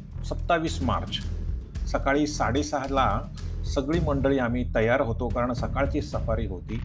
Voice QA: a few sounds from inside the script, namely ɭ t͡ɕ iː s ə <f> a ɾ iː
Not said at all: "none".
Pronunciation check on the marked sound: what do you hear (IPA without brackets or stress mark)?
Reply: f